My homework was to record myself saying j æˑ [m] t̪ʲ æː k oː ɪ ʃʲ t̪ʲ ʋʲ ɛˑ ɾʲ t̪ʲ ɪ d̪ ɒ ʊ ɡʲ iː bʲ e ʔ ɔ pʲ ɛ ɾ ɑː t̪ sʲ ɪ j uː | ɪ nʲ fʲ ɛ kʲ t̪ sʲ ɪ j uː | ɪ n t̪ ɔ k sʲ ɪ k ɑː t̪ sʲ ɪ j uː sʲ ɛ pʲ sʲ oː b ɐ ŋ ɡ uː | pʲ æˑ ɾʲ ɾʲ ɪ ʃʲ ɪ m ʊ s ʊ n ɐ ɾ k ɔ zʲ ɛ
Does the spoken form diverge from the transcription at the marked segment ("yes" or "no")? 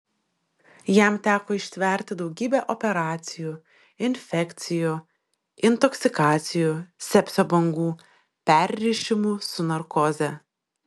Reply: no